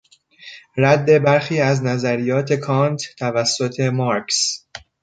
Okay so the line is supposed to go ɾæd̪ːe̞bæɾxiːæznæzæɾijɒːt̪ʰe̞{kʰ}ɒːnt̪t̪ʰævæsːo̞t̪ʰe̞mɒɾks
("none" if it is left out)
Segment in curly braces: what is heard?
kʰ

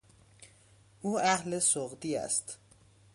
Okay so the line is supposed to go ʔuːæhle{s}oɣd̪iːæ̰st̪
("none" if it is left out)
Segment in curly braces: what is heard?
s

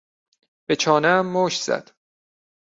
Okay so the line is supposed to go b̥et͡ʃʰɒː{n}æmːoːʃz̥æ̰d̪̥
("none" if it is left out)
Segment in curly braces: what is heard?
n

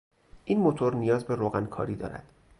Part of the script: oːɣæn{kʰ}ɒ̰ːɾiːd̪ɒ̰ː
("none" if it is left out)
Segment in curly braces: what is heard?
kʰ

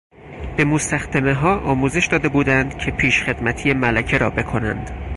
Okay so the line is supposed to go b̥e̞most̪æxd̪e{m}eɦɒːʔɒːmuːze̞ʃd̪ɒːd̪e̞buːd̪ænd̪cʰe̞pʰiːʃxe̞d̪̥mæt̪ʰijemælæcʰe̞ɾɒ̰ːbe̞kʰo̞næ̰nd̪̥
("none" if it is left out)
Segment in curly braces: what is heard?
m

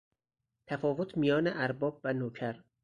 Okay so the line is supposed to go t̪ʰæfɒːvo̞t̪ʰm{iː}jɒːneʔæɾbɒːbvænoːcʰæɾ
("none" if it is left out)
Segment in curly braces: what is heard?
i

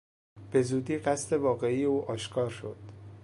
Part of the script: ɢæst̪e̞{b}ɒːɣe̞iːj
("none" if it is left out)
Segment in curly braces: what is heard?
v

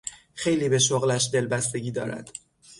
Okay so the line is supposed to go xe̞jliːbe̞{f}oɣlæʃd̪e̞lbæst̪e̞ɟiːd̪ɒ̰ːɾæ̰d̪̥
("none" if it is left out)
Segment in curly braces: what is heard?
ʃ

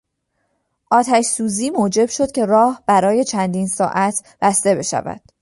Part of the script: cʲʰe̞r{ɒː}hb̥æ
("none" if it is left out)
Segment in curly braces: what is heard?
ɒː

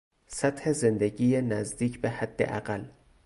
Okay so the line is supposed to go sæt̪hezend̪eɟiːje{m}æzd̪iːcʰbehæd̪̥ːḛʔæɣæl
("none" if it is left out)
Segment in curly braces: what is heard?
n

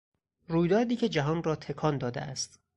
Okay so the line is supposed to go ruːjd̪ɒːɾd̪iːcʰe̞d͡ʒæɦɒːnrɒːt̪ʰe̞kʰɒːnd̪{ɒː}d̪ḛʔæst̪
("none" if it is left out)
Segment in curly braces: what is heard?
ɒː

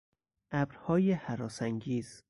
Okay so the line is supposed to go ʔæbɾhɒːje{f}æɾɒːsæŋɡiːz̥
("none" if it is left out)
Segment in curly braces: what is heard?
h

